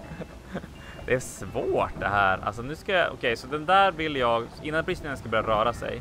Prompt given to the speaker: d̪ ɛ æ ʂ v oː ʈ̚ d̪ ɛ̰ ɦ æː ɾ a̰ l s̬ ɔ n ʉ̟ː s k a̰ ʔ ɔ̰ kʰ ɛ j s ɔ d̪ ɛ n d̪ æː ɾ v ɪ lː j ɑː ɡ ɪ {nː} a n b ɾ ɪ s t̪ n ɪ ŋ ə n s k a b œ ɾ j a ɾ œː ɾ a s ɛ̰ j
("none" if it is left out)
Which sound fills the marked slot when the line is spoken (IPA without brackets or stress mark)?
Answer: nː